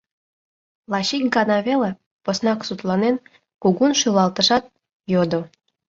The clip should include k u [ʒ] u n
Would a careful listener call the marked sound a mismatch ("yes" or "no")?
yes